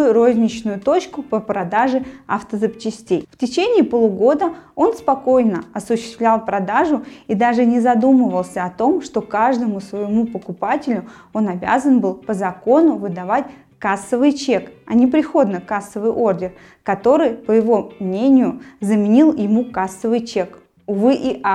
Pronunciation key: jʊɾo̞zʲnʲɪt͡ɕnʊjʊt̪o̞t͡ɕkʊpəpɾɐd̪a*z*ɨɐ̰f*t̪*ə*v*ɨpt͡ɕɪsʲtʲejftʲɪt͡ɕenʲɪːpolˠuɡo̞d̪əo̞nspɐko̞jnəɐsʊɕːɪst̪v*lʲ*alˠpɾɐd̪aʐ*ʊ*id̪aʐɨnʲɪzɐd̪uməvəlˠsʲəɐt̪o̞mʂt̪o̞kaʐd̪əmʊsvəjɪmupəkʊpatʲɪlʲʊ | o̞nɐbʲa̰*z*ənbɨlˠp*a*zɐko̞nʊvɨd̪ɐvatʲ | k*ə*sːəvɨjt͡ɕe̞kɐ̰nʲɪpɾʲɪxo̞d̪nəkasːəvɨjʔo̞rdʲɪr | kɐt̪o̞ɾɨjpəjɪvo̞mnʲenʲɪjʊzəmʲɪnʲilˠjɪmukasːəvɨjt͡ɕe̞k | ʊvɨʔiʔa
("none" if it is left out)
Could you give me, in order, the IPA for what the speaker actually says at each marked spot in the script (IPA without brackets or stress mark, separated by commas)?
ʐ, t̪, z, lʲ, ʊ, z, ə, a